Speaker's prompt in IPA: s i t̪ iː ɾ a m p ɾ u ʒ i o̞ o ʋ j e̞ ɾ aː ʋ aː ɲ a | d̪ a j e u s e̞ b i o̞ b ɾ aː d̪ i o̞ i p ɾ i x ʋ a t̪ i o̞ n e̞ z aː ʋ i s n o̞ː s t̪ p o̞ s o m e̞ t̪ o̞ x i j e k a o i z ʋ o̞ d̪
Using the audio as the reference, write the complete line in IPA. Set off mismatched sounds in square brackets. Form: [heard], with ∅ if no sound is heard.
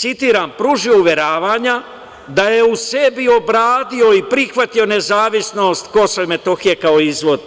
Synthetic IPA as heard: s i t̪ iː ɾ a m p ɾ u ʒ i o̞ [u] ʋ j e̞ ɾ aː ʋ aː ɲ a | d̪ a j e u s e̞ b i o̞ b ɾ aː d̪ i o̞ i p ɾ i x ʋ a t̪ i o̞ n e̞ z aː ʋ i s n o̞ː s t̪ [k] o̞ s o m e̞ t̪ o̞ x i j e k a o i z ʋ o̞ d̪

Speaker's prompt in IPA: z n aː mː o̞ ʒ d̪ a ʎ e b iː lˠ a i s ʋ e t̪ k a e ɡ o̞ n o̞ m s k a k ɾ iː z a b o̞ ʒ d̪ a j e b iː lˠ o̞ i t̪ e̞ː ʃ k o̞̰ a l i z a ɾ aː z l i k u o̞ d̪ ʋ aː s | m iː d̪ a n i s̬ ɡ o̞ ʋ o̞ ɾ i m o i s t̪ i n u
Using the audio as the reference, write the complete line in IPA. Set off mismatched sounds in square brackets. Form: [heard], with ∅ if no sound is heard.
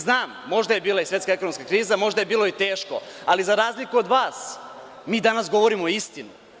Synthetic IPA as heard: z n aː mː o̞ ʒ d̪ a [j] e b iː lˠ a i s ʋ e t̪ k a e [k] o̞ n o̞ m s k a k ɾ iː z a [m] o̞ ʒ d̪ a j e b iː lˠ o̞ i t̪ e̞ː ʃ k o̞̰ a l i z a ɾ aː z l i k u o̞ d̪ ʋ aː s | m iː d̪ a n [a] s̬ ɡ o̞ ʋ o̞ ɾ i m o i s t̪ i n u

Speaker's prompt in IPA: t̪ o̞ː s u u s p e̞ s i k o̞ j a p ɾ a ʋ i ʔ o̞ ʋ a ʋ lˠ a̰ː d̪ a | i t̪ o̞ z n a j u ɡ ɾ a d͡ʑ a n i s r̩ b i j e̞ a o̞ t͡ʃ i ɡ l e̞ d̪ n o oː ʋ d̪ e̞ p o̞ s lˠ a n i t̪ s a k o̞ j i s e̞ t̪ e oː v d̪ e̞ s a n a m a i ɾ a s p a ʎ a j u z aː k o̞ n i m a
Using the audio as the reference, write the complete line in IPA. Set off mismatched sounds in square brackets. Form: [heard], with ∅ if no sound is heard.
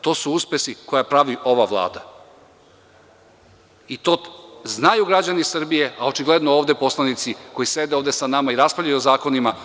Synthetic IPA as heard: t̪ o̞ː s u u s p e̞ s i k o̞ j a p ɾ a ʋ i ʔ o̞ ʋ a ʋ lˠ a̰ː d̪ a | i t̪ o̞ z n a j u ɡ ɾ a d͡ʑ a n i s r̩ b i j e̞ a o̞ t͡ʃ i ɡ l e̞ d̪ n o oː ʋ d̪ e̞ p o̞ s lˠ a n i t̪ s [i] k o̞ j i s e̞ [d̪] e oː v d̪ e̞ s a n a m a i ɾ a s p a ʎ a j u z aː k o̞ n i m a

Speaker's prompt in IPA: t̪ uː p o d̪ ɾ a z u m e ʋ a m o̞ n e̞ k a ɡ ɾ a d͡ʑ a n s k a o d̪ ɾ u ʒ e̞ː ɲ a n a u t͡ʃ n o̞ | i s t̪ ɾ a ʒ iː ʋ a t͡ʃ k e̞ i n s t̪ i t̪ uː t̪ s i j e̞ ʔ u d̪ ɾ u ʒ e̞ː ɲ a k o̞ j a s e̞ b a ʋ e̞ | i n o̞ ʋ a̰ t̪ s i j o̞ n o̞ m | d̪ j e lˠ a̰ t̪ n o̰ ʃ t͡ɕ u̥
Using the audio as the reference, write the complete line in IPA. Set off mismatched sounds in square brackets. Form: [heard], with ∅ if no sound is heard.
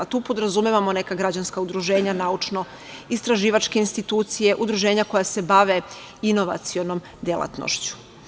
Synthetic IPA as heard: t̪ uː p o d̪ ɾ a z u m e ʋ a m o̞ n e̞ k a ɡ ɾ a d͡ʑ a n s k a [u] d̪ ɾ u ʒ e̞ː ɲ a n a u t͡ʃ n o̞ | i s t̪ ɾ a ʒ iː ʋ a t͡ʃ k e̞ i n s t̪ i t̪ uː t̪ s i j e̞ ʔ u d̪ ɾ u ʒ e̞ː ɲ a k o̞ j a s e̞ b a ʋ e̞ | i n o̞ ʋ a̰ t̪ s i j o̞ n o̞ m | d̪ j e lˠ a̰ t̪ n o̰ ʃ t͡ɕ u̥

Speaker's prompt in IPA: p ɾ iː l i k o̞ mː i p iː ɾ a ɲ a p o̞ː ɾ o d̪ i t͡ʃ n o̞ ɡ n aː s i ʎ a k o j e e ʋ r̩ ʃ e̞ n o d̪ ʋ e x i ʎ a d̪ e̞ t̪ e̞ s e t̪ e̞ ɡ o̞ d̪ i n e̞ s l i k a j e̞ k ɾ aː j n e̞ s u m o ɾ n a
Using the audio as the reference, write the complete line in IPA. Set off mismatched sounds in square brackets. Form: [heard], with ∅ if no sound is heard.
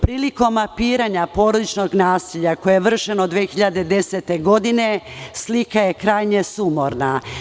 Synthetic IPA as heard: p ɾ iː l i k o̞ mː [a] p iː ɾ a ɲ a p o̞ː ɾ o d̪ i t͡ʃ n o̞ ɡ n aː s i ʎ a k o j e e ʋ r̩ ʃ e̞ n o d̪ ʋ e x i ʎ a d̪ e̞ [d̪] e̞ s e t̪ e̞ ɡ o̞ d̪ i n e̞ s l i k a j e̞ k ɾ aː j [ɲ] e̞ s u m o ɾ n a

